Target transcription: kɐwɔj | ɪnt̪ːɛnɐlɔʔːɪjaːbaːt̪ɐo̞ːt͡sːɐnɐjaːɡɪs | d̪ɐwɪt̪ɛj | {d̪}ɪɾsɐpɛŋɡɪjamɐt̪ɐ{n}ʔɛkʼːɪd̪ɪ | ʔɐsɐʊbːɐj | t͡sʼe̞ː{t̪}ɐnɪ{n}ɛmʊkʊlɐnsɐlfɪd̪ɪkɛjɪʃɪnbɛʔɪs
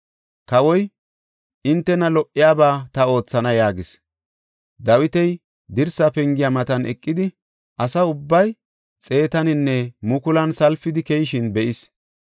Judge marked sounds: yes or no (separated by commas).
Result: yes, yes, yes, no